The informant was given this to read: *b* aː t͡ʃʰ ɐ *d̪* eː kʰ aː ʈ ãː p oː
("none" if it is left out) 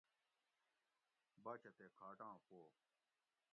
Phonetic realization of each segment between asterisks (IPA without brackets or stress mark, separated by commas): b, t̪